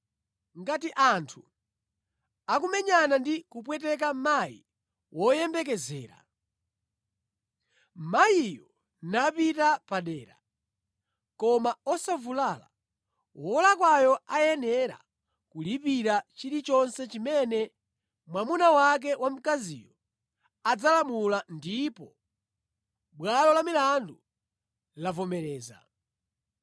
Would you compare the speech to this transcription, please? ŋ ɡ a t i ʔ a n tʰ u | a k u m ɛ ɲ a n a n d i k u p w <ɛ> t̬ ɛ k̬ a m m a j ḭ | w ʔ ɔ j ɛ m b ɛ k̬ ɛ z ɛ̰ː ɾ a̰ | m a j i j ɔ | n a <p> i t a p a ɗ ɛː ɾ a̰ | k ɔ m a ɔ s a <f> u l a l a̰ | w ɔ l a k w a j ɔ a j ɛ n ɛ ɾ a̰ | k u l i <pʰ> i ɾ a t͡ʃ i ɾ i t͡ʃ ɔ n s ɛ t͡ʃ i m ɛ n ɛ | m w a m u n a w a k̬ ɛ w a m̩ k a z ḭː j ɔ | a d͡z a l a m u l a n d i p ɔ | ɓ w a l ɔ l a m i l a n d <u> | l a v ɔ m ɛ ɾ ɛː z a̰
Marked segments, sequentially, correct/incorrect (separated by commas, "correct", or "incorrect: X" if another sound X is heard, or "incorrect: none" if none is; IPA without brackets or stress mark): correct, correct, incorrect: v, incorrect: p, correct